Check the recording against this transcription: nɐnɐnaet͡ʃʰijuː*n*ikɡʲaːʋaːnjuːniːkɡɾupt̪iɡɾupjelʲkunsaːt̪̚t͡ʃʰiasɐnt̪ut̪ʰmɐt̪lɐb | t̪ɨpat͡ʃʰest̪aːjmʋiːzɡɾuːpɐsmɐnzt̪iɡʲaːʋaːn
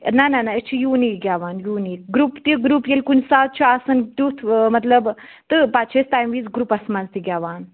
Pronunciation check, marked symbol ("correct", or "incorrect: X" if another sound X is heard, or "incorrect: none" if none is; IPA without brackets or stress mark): correct